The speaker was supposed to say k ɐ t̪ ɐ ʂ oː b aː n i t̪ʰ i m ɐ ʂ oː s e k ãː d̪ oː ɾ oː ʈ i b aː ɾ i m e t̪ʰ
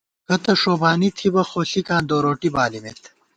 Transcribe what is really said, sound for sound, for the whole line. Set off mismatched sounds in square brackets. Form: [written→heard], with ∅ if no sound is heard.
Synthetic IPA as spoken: k ɐ t̪ ɐ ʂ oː b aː n i t̪ʰ i [m→b] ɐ [ʂ→x] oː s [e→i] k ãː d̪ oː ɾ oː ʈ i b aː [ɾ→l] i m e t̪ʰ